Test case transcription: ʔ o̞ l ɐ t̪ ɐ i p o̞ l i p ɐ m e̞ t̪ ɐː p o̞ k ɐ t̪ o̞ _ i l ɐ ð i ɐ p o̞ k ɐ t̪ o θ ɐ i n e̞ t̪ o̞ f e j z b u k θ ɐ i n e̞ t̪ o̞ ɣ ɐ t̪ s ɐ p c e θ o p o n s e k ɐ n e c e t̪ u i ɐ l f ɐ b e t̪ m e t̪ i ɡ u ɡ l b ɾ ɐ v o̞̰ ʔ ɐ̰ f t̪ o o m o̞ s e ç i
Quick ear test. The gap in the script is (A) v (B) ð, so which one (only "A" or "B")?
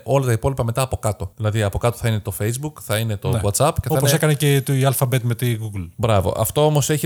B